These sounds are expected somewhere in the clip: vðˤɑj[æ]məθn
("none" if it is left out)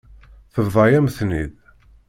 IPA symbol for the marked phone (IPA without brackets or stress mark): æ